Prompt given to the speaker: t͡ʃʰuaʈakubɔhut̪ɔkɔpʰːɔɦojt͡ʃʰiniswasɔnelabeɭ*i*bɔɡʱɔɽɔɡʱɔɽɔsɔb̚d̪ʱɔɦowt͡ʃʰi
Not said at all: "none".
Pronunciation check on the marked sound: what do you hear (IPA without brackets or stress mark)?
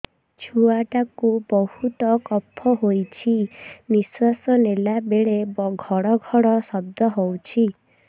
e